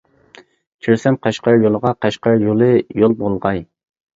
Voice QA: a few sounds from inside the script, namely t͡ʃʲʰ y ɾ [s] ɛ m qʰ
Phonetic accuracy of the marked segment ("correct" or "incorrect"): correct